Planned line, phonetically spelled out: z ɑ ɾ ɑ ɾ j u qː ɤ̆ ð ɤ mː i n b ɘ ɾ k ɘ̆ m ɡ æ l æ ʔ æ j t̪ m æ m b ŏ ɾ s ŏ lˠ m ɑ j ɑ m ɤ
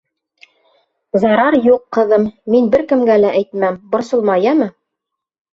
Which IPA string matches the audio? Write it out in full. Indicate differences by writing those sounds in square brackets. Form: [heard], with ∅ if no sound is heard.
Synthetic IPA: z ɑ ɾ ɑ ɾ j u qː ɤ̆ ð ɤ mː i n b ɘ ɾ k ɘ̆ m ɡ æ l æ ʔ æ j t̪ m æ m b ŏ ɾ s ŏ lˠ m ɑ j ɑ m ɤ